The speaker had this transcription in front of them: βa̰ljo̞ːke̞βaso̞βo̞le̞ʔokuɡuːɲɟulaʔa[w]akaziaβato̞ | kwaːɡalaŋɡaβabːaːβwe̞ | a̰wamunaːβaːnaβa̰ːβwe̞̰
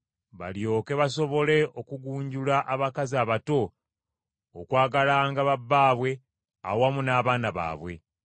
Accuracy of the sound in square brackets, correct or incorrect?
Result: incorrect